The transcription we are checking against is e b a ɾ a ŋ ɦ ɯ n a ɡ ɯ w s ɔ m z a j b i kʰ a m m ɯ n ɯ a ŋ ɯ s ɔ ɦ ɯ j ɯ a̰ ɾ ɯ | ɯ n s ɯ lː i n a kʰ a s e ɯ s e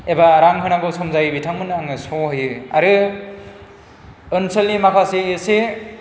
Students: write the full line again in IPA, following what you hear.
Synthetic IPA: e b a ɾ a ŋ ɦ ɯ n a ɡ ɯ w s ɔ m z a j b i tʰ a ŋ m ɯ n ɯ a ŋ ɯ s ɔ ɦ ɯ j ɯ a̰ ɾ ɯ | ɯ n s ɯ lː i m a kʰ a s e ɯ s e